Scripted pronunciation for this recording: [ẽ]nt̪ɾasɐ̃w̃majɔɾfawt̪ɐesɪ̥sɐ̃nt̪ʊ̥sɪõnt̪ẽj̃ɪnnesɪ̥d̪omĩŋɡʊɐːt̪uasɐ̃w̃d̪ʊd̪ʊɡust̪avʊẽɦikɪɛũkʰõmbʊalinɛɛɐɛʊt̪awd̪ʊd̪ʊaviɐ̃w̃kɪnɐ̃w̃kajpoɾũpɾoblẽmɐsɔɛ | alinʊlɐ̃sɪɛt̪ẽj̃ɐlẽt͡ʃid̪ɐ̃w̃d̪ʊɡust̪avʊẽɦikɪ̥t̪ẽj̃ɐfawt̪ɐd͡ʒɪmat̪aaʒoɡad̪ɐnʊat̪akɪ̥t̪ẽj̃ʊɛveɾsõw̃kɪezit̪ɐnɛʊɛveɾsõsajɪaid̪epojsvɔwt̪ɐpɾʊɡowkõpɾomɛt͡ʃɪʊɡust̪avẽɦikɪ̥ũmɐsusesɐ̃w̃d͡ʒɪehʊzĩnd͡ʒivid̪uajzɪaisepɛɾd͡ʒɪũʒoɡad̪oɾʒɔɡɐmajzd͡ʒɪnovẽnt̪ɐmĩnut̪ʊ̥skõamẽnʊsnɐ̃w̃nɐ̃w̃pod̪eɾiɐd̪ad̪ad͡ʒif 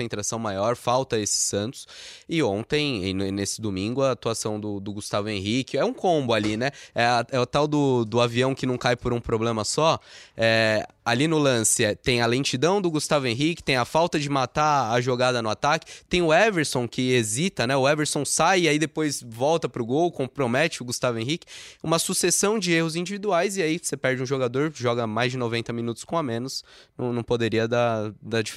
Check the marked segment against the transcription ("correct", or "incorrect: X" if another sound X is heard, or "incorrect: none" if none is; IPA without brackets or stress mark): correct